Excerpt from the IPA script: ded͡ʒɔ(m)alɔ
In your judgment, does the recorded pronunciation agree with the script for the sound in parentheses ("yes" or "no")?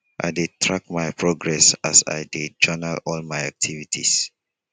no